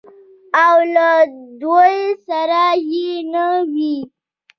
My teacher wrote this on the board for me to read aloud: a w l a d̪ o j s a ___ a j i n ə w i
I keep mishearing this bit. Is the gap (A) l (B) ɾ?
B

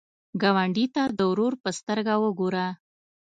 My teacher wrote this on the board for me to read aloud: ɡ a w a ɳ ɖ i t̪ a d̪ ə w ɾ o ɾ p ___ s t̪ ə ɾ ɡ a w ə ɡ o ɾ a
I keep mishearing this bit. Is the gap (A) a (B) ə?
B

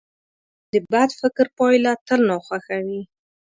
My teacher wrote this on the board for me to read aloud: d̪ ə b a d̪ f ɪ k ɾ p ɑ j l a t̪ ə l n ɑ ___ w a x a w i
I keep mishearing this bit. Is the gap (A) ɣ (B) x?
B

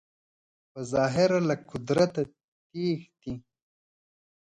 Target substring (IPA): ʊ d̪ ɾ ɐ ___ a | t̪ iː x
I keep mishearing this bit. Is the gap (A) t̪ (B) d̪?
A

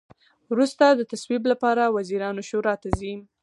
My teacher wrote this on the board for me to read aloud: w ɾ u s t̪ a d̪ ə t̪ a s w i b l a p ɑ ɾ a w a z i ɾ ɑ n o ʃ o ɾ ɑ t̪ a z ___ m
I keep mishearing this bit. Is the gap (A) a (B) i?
B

